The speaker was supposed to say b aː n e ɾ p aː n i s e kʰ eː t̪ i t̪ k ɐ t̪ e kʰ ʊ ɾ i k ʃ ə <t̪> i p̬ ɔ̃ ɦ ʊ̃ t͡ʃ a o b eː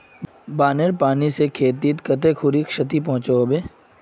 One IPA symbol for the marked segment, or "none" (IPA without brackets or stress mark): t̪